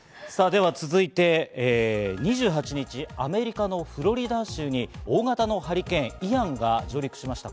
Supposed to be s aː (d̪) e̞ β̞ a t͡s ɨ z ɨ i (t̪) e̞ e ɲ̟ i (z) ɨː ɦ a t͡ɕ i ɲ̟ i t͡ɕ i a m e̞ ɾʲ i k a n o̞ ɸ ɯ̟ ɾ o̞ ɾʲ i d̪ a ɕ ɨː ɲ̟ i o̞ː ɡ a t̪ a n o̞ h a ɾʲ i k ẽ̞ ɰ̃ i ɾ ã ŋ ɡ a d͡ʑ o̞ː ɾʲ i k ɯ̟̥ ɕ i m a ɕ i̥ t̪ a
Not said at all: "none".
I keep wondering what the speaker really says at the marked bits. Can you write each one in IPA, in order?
d̪, t̪, ʑ

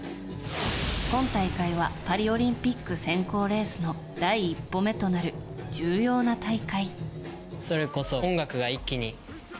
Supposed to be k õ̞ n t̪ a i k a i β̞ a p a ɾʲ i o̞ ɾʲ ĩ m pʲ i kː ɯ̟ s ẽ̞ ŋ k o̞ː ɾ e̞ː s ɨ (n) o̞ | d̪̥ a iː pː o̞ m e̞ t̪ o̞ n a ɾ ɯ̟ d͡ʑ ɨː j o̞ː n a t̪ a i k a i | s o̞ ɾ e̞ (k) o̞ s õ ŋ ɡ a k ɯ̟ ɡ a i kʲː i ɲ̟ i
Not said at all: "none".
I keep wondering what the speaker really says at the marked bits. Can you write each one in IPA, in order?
n, k

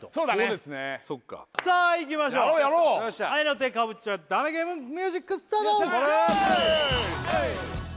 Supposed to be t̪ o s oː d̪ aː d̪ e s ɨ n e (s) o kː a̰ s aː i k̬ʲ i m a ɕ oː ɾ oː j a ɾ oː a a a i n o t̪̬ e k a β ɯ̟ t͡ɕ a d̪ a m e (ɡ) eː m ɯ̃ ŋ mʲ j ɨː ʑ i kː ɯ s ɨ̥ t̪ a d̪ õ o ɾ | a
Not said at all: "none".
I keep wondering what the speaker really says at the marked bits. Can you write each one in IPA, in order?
s, ɡ

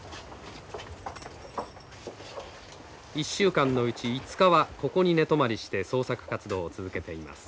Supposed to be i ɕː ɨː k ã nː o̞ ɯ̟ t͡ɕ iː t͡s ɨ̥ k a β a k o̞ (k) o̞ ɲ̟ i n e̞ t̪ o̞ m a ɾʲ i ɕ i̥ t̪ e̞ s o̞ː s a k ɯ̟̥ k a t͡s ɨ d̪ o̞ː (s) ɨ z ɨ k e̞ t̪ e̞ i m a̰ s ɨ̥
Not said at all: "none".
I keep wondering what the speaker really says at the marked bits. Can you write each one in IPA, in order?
k, t͡s

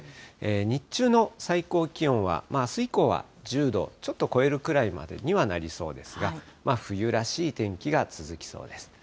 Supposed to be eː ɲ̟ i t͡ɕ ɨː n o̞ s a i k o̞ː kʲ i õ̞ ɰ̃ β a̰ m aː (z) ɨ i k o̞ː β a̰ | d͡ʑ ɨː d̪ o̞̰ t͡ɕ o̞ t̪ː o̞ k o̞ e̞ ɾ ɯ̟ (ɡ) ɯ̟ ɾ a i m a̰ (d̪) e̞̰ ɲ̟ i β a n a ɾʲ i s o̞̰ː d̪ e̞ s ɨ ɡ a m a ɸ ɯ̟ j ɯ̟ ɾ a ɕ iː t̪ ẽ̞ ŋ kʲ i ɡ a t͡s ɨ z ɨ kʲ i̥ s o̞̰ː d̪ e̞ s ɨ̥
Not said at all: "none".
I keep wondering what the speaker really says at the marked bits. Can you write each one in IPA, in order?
s, k, d̪

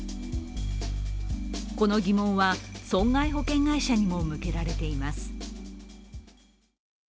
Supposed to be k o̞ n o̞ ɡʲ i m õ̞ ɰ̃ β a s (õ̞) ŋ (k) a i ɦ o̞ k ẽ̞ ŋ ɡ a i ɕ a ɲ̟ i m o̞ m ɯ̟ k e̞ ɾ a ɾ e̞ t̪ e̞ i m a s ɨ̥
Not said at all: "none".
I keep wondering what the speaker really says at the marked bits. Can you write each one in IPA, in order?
õ̞, ɡ

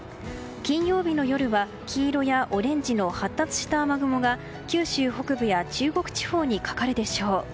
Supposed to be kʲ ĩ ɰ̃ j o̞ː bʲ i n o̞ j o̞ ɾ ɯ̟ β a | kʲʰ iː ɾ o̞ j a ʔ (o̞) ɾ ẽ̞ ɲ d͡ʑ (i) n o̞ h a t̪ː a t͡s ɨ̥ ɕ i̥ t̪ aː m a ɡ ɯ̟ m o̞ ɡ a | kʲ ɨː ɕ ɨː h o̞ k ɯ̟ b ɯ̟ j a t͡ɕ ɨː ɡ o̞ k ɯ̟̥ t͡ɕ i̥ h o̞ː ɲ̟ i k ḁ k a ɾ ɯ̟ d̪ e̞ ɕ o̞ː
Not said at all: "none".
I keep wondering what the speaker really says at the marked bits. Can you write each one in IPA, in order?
o̞, i

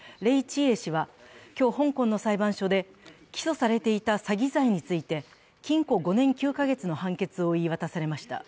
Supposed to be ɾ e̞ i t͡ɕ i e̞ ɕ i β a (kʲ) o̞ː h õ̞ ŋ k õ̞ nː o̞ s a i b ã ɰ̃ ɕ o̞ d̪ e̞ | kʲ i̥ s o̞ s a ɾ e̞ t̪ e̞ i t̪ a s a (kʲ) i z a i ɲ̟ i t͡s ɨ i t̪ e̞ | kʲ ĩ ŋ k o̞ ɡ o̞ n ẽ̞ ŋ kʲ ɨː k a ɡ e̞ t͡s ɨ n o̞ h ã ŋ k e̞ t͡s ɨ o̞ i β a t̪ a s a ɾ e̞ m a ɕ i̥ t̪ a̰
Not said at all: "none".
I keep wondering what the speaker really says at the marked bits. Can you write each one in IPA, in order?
kʲ, ɡʲ

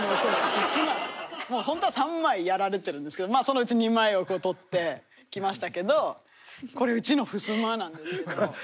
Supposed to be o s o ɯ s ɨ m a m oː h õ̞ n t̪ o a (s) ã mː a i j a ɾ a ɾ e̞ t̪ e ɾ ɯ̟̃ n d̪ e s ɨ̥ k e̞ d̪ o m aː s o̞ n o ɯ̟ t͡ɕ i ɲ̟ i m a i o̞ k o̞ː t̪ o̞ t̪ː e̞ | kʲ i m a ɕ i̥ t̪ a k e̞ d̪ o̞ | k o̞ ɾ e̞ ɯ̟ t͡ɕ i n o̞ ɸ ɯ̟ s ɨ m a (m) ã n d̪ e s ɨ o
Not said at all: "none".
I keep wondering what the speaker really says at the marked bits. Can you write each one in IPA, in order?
s, n

